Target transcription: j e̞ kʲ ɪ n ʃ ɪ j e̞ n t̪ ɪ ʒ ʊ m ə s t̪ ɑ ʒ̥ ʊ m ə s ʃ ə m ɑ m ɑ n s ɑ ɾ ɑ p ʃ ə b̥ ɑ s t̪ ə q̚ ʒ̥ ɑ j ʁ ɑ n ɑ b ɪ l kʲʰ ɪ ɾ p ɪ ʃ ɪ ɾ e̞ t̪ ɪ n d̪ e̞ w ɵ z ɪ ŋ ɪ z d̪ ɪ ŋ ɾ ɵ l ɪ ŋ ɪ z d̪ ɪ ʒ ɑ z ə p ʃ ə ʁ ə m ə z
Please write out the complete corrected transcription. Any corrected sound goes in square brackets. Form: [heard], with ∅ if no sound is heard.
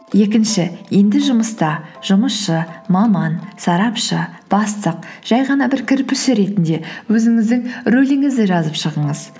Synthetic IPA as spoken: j e̞ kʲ ɪ n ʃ ɪ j e̞ n [d̪] ɪ ʒ ʊ m ə s t̪ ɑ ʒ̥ ʊ m ə s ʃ ə m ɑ m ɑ n s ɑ ɾ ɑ p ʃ ə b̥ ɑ s t̪ ə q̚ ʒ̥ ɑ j ʁ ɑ n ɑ b ɪ [ɾ] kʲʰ ɪ ɾ p ɪ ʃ ɪ ɾ e̞ t̪ ɪ n d̪ e̞ w ɵ z ɪ ŋ ɪ z d̪ ɪ ŋ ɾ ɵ l ɪ ŋ ɪ z d̪ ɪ ʒ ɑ z ə p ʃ ə ʁ ə [ɴ] ə z